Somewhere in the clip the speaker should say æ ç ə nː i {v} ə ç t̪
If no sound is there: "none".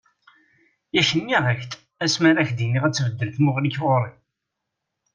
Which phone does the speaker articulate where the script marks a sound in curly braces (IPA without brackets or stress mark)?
ʁ